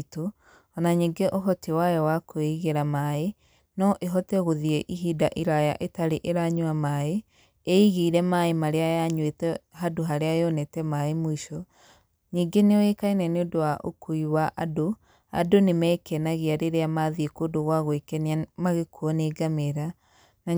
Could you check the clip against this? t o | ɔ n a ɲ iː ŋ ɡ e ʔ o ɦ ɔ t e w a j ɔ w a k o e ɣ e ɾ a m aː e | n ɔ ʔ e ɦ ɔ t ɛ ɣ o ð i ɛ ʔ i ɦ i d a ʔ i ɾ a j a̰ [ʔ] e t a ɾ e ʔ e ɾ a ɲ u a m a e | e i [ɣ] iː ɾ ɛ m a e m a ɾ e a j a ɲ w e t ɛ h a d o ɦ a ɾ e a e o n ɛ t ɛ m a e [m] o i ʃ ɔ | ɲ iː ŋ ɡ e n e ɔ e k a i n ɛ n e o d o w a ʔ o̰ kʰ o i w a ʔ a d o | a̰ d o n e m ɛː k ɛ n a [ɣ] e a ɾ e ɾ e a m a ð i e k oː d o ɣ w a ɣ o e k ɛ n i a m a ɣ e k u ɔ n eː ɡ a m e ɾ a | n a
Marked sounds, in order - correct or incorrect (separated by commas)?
correct, correct, correct, correct